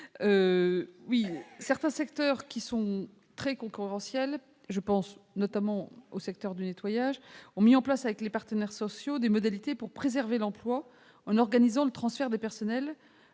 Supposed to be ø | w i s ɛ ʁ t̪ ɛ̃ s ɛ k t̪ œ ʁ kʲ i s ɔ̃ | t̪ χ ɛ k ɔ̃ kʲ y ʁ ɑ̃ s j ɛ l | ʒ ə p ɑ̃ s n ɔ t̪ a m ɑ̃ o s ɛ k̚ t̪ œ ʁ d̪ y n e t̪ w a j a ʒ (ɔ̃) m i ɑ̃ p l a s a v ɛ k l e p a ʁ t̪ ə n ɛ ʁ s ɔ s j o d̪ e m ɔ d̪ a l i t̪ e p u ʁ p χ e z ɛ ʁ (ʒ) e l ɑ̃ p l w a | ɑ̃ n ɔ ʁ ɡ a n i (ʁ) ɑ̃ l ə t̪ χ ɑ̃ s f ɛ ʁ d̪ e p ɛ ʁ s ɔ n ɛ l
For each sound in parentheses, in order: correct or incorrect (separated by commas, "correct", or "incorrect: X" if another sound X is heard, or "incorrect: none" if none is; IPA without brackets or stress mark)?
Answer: correct, incorrect: v, incorrect: z